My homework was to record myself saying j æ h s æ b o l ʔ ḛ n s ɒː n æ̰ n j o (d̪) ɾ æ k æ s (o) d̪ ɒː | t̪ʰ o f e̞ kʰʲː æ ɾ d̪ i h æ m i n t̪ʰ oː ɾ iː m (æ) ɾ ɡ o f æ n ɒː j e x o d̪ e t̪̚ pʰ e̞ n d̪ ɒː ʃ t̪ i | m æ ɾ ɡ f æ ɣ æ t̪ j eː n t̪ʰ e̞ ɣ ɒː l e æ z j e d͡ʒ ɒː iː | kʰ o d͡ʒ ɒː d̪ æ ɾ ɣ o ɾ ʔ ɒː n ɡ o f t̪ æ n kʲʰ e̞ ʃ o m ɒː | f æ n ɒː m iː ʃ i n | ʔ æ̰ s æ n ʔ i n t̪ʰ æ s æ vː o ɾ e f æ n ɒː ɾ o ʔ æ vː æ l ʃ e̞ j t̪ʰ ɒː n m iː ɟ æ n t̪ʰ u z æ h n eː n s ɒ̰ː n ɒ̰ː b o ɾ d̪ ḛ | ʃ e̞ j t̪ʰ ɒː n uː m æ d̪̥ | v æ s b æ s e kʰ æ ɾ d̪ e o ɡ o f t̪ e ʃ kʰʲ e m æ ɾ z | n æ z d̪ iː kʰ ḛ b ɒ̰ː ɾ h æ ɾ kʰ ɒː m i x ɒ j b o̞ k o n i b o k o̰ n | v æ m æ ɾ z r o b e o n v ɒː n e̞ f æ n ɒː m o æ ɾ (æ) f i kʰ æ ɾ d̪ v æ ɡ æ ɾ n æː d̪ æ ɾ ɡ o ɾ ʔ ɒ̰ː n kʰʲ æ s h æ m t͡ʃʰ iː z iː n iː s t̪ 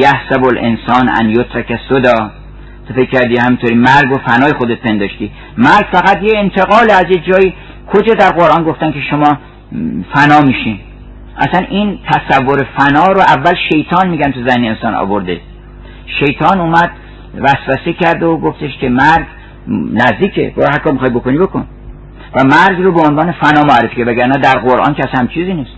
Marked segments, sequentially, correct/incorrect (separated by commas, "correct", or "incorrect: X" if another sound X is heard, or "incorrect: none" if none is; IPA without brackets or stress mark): incorrect: t̪, correct, correct, incorrect: e